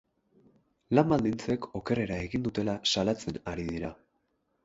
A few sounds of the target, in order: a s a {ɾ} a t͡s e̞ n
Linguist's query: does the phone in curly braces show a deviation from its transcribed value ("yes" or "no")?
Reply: yes